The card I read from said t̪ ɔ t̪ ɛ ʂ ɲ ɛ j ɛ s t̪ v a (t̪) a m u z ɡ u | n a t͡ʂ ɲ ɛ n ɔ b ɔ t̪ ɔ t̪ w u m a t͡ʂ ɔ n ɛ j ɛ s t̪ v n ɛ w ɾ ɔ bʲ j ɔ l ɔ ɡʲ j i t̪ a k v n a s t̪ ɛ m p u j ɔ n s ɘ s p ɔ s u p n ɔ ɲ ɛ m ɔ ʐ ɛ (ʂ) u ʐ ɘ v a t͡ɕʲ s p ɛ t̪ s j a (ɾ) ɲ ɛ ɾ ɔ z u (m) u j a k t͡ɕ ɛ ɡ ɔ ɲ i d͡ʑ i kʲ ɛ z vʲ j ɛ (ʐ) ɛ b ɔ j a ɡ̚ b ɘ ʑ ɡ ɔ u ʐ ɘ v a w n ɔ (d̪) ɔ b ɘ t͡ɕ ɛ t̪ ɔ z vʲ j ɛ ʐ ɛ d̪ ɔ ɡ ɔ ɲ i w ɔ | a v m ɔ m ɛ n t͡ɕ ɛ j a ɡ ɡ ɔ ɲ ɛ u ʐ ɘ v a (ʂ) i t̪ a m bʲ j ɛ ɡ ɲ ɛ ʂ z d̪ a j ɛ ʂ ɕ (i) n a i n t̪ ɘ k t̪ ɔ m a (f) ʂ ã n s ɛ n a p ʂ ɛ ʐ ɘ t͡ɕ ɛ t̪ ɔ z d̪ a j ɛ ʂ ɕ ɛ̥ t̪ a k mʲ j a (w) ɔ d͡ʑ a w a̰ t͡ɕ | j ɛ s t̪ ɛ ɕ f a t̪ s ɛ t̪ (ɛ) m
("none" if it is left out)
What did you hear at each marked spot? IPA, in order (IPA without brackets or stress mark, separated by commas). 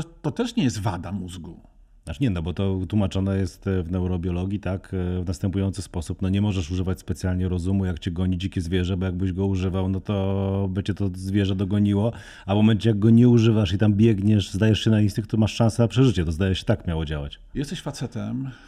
d̪, ʂ, l, m, ʐ, t̪, ʂ, ɛ, ʂ, w, ɛ